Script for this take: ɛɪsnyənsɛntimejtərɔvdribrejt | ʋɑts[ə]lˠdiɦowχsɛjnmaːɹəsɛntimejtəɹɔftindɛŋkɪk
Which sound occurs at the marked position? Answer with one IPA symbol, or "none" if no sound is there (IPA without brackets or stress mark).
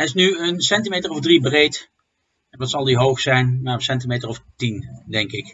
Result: ɑ